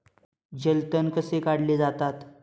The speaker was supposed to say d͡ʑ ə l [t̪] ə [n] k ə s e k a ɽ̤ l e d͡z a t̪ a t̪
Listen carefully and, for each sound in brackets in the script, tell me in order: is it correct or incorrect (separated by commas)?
correct, correct